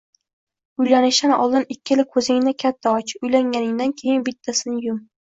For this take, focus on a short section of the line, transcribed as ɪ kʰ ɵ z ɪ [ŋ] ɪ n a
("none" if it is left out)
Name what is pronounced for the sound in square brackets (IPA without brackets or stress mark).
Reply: ŋ